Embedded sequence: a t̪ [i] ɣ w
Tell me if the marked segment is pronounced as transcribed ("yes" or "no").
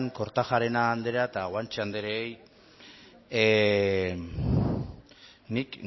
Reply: no